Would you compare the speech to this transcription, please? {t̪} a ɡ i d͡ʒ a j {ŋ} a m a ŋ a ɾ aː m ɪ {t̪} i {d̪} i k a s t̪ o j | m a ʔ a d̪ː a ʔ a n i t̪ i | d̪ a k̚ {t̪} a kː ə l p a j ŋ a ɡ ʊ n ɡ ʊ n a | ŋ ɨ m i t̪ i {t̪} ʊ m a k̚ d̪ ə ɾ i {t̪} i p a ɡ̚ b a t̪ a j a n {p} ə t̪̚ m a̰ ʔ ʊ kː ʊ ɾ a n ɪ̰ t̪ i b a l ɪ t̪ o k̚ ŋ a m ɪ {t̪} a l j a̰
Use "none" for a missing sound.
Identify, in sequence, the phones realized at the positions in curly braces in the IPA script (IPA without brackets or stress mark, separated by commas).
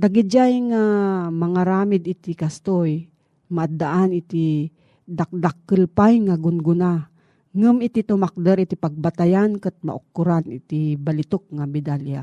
d̪, ŋ, d̪, t̪, d̪, t̪, t̪, k, d̪